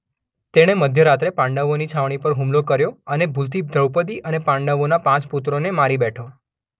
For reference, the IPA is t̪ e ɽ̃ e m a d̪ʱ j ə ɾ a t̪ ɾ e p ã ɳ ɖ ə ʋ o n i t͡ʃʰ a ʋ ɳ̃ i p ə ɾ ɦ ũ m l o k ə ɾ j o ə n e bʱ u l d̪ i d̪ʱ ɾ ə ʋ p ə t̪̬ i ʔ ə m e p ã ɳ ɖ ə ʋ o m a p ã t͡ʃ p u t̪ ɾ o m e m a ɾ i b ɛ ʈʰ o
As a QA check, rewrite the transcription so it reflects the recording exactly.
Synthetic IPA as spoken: t̪ e ɽ̃ e m ə d̪ʱ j ə ɾ a t̪ ɾ e p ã ɳ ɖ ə ʋ o n i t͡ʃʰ a ʋ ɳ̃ i p ə ɾ ɦ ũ m l o k ə ɾ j o ə n e bʱ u l t̪ i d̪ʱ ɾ ə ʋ p ə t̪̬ i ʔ ə n e p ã ɳ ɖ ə ʋ o n a p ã t͡ʃ p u t̪ ɾ o n e m a ɾ i b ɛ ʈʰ o